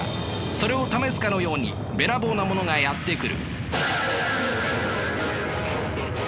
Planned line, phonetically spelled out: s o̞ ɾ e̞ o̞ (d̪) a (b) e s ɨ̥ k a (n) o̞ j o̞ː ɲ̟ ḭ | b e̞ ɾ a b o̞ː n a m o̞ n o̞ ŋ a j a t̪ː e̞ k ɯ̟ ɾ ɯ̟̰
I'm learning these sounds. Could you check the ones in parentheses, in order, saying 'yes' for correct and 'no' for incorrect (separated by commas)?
no, no, yes